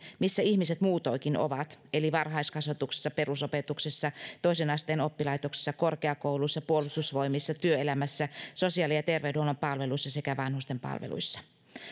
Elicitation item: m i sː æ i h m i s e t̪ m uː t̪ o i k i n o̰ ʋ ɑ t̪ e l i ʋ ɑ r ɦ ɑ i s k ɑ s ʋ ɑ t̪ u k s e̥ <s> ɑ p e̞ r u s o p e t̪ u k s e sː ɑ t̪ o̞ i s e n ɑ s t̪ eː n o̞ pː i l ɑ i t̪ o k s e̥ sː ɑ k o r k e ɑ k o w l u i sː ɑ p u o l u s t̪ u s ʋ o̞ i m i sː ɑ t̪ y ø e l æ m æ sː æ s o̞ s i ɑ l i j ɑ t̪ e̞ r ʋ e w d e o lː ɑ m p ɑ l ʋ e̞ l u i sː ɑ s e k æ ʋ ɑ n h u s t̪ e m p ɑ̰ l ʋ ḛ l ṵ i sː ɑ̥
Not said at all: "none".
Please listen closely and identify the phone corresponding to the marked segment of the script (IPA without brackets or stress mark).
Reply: sː